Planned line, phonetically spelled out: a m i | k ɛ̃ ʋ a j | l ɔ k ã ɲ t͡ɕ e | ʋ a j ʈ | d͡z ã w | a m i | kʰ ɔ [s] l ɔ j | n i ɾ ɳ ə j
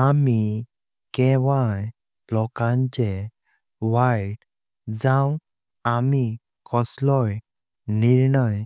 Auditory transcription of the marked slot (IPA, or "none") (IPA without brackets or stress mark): s